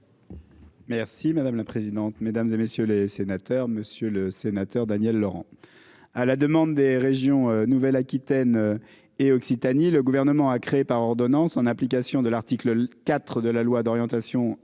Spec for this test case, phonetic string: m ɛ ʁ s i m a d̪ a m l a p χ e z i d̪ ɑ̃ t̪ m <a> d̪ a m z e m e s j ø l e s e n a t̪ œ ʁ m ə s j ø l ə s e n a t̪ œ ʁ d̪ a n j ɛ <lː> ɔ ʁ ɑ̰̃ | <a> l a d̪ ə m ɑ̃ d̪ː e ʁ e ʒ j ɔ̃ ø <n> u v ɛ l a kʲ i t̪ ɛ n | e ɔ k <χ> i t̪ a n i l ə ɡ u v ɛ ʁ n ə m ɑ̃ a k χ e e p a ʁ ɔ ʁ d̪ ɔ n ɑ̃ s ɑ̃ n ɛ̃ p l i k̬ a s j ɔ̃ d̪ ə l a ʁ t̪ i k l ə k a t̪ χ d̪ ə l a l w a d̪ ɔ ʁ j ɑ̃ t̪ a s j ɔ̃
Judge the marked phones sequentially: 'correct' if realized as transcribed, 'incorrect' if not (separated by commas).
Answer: incorrect, correct, correct, correct, incorrect